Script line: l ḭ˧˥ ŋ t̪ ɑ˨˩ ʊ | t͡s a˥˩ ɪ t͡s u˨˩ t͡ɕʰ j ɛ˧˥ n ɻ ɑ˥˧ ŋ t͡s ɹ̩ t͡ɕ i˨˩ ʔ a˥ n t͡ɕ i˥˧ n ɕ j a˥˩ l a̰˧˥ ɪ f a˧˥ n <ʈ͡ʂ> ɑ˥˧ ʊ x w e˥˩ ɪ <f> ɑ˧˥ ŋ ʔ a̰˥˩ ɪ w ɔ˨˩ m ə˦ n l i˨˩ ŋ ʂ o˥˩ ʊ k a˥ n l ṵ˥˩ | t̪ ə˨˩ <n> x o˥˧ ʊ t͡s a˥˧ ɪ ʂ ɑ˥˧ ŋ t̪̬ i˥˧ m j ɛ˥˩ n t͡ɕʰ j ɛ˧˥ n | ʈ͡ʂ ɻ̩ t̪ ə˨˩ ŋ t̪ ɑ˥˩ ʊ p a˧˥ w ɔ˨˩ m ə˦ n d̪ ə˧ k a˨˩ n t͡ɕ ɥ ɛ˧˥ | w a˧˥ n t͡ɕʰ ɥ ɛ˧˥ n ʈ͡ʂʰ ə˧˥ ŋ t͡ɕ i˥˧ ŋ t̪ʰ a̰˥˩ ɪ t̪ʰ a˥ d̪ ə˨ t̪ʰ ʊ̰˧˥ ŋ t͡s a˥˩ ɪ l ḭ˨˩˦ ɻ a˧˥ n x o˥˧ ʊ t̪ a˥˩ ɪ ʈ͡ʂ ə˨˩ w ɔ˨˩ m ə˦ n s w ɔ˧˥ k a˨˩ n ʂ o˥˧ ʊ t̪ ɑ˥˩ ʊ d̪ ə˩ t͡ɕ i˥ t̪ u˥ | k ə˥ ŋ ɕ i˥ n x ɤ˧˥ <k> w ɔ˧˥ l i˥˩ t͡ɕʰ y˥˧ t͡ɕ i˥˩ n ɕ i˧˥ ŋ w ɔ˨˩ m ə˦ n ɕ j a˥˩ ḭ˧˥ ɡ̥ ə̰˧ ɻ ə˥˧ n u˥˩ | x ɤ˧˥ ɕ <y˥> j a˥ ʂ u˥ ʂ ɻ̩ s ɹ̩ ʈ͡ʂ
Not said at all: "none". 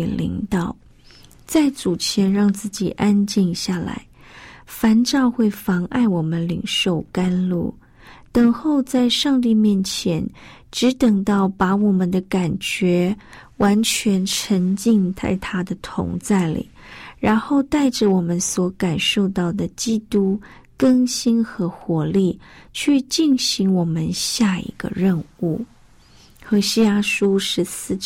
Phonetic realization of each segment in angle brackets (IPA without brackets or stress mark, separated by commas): ʈ͡ʂ, f, ŋ, x, i˥